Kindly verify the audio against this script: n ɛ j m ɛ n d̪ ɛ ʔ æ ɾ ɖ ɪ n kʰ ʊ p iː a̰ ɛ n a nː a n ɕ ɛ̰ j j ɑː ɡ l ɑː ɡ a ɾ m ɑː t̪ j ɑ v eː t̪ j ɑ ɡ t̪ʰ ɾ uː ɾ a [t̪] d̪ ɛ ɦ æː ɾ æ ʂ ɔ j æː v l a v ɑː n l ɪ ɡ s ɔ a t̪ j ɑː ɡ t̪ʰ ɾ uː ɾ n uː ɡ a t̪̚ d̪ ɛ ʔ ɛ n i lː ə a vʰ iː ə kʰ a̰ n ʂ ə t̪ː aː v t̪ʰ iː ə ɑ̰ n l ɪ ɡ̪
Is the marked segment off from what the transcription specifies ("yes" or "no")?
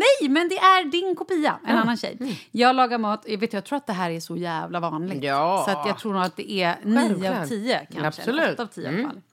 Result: no